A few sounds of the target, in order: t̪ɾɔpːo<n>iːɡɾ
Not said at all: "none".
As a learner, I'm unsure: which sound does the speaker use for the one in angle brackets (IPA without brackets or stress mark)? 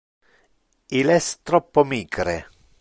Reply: m